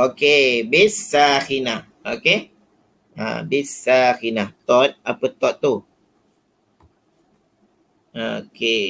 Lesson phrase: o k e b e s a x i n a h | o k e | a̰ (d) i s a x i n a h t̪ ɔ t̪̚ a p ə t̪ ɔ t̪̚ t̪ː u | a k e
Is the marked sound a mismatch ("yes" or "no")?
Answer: yes